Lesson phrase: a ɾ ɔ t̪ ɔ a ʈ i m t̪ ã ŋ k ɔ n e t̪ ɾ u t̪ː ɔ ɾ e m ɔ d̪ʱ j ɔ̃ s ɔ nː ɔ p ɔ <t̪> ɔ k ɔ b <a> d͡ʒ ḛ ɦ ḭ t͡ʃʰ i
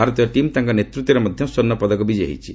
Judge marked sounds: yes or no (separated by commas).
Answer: no, no